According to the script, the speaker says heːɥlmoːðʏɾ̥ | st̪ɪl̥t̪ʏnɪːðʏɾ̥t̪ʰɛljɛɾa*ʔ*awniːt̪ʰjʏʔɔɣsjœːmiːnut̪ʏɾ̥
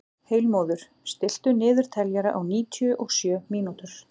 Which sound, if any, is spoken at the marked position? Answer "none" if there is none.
ʔ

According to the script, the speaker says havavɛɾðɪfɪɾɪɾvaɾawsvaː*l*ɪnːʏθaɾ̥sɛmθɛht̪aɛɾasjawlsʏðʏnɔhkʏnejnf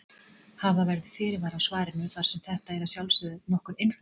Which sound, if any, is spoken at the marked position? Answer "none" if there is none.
ɾ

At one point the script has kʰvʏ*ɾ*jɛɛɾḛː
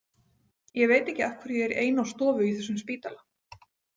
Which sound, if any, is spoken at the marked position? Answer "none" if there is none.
ɾ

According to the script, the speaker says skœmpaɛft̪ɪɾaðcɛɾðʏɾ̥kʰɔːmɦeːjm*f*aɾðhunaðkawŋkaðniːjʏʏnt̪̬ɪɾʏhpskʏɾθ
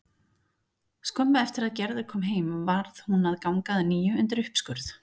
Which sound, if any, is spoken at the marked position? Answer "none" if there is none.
v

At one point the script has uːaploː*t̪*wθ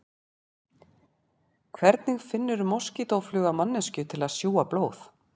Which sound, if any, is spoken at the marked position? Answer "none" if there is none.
none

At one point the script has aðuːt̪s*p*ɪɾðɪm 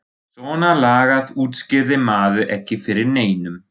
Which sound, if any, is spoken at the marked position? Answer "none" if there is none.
c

